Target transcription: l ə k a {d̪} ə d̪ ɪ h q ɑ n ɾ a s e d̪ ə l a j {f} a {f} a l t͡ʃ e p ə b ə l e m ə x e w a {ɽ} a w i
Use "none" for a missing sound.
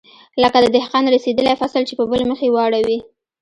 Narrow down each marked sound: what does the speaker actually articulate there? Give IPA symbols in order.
d̪, f, s, ɽ

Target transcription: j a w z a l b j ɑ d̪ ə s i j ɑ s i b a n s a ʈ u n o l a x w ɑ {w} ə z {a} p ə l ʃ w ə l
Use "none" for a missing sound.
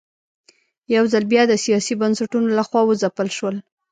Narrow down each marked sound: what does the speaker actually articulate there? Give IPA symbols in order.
w, a

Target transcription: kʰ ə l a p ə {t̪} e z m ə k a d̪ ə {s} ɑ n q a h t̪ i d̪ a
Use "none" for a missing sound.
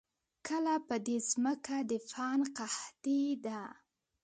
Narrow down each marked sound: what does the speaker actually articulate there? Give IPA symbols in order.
d̪, f

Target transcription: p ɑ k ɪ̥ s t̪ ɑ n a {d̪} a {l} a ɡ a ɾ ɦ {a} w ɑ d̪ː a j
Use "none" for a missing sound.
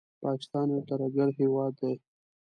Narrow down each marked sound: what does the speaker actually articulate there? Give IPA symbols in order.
t̪, ɾ, e

